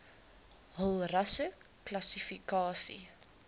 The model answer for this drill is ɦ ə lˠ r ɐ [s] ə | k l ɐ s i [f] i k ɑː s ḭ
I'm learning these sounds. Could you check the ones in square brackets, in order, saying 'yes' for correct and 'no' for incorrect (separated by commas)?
yes, yes